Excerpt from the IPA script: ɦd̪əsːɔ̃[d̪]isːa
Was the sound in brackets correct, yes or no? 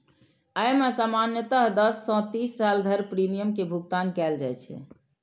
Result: no